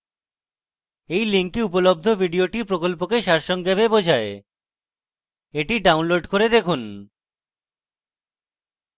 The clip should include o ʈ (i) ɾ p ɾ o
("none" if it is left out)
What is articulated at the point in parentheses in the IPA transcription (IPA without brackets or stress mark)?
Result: i